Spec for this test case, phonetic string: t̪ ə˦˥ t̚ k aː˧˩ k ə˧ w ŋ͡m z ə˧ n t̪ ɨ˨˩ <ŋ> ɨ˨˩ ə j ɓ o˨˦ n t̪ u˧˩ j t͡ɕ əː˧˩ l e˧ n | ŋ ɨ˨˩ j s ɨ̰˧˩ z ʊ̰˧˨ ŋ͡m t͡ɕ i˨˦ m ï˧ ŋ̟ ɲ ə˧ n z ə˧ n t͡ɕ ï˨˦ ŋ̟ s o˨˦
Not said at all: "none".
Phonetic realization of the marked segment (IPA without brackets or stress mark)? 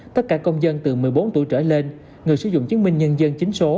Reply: m